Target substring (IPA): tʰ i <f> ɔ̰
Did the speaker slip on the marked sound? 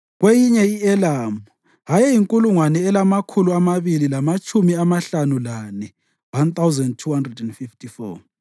no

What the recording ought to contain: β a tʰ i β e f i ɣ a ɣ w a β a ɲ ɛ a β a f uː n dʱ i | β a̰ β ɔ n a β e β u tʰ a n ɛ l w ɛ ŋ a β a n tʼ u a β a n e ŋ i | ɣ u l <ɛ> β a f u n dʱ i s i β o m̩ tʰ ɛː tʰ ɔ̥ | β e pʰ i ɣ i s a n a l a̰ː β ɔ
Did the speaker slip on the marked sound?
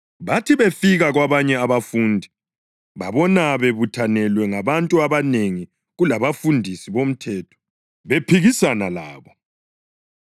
yes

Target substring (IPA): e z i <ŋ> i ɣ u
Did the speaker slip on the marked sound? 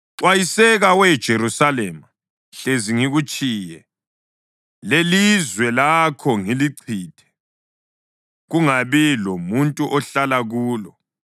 no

